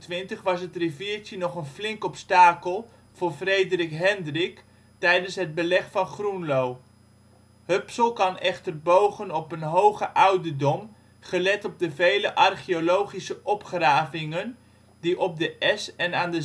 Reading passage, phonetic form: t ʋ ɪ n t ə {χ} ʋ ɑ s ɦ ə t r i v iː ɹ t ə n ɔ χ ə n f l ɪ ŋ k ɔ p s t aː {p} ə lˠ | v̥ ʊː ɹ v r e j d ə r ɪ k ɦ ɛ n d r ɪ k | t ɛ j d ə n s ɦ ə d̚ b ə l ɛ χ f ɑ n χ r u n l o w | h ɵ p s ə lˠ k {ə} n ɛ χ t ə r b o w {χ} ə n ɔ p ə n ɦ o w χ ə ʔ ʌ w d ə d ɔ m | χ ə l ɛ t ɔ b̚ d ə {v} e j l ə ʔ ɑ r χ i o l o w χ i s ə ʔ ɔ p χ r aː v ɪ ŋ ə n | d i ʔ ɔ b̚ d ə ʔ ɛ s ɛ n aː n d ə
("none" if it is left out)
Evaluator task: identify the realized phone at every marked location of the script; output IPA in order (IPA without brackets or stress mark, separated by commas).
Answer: χ, k, ɑ, χ, v